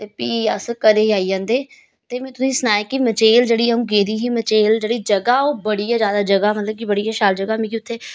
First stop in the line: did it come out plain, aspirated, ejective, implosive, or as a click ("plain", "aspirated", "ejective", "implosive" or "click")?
plain